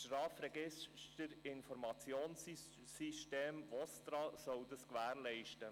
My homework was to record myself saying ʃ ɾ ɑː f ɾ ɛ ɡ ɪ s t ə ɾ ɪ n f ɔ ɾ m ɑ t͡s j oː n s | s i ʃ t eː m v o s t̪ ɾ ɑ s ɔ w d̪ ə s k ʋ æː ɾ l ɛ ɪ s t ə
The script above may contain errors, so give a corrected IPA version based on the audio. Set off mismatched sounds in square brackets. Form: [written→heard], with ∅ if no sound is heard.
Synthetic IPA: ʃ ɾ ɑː f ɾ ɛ ɡ ɪ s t ə ɾ ɪ n f ɔ ɾ m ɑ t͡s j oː n s | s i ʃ t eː m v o s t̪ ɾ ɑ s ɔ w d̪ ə s k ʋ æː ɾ l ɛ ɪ [s→ʃ] t ə